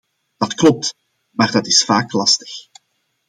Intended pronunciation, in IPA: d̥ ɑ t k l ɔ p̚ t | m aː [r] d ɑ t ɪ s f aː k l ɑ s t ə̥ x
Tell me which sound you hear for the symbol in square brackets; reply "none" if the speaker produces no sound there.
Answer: r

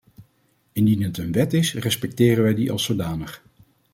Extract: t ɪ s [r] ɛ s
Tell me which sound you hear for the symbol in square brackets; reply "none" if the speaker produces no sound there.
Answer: r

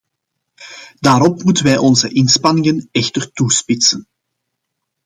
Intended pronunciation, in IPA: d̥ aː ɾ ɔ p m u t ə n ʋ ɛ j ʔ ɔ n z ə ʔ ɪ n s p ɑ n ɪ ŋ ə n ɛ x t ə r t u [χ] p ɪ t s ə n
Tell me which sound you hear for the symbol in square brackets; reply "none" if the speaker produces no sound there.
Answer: s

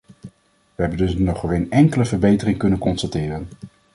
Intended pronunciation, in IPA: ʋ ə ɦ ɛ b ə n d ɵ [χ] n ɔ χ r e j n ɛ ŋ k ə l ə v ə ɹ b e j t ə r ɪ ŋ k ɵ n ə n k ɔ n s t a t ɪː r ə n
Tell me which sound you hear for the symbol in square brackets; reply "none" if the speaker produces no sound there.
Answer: s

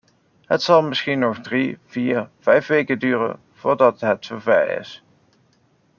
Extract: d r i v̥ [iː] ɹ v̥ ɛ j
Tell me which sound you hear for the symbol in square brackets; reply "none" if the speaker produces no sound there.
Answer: iː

